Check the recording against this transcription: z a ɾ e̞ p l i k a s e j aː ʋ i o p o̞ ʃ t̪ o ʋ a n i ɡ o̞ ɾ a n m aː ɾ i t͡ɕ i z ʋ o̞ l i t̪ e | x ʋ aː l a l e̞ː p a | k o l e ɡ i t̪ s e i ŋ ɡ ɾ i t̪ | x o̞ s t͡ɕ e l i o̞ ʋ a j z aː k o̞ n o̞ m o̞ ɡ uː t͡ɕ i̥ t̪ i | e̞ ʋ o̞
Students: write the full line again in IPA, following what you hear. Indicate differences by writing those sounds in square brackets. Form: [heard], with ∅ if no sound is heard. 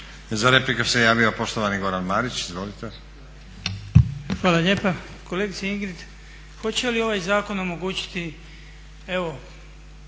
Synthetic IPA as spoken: z a ɾ e̞ p l i k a s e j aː ʋ i o p o̞ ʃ t̪ o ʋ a n i ɡ o̞ ɾ a n m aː ɾ i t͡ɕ i z ʋ o̞ l i t̪ e | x ʋ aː l a [ʎ] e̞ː p a | k o l e ɡ i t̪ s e i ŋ ɡ ɾ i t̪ | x o̞ [∅] t͡ɕ e l i o̞ ʋ a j z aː k o̞ n o̞ m o̞ ɡ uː t͡ɕ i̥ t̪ i | e̞ ʋ o̞